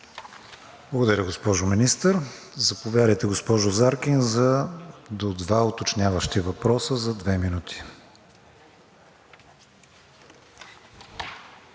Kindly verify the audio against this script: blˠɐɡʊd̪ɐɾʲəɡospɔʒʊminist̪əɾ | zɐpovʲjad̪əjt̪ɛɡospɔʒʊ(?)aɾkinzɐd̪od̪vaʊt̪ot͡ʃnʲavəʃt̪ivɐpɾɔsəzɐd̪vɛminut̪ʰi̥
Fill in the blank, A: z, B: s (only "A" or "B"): A